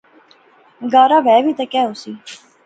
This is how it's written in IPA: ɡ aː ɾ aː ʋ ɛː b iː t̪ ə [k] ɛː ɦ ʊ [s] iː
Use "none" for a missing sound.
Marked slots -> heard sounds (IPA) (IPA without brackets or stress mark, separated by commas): k, s